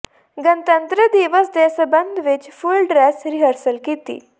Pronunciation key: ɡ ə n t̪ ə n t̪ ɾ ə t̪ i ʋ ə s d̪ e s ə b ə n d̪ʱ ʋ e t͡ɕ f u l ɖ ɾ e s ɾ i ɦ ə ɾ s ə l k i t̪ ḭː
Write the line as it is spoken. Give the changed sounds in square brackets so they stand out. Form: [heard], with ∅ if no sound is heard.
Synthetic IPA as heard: ɡ ə n t̪ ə n t̪ ɾ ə [d̪] i ʋ ə s d̪ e s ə b ə n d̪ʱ ʋ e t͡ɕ f u l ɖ ɾ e s ɾ i ɦ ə ɾ s ə l k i t̪ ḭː